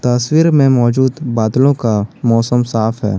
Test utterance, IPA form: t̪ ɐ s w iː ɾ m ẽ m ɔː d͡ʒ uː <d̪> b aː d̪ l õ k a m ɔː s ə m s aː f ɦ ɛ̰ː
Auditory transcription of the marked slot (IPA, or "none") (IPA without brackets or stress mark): d̪